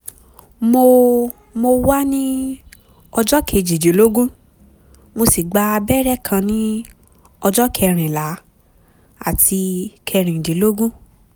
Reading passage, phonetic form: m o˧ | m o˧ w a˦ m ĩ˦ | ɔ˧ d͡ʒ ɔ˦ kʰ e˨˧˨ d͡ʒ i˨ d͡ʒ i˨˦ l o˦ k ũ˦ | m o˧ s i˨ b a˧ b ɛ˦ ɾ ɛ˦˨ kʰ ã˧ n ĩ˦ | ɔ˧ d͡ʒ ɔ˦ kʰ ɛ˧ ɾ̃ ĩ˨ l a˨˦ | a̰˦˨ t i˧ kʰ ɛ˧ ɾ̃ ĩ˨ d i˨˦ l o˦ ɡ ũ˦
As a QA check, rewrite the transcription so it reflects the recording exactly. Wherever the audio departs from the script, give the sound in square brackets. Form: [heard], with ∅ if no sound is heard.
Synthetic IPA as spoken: m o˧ | m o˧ w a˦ [n] ĩ˦ | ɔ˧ d͡ʒ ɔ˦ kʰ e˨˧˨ d͡ʒ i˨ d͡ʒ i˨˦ l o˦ [ɡ] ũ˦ | m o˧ s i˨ [ɡ͡b] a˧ b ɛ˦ ɾ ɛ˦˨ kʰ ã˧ n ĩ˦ | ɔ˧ d͡ʒ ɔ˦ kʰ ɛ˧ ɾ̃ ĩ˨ l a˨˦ | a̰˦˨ t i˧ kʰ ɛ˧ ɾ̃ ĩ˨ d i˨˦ l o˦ ɡ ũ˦